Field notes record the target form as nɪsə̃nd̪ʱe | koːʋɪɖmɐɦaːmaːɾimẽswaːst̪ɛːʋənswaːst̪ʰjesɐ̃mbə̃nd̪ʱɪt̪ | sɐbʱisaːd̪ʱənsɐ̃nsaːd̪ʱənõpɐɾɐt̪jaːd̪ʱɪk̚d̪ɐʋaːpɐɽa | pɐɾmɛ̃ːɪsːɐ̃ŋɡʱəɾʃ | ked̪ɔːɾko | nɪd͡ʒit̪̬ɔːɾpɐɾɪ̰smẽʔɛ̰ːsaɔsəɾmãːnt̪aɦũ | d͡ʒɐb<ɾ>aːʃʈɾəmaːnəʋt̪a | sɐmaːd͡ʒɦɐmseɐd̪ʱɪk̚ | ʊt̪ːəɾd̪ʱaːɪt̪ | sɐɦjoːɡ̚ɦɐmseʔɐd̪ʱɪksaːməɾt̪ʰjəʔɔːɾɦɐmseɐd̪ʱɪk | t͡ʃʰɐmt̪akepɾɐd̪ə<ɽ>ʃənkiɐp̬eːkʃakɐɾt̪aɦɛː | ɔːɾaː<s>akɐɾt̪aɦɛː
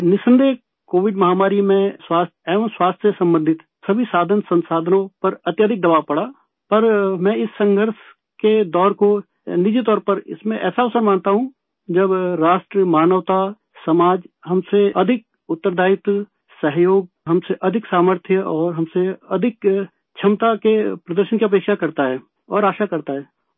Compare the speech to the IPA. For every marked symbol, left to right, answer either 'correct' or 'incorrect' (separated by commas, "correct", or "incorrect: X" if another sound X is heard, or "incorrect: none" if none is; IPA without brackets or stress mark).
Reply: correct, incorrect: ɾ, incorrect: ʃ